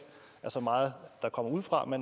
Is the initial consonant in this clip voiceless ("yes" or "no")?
yes